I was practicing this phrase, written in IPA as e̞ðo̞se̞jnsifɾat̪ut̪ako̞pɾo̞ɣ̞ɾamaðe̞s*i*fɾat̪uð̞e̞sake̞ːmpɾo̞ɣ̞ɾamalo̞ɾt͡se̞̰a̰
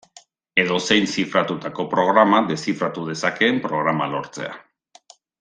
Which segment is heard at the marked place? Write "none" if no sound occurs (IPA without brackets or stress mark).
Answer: i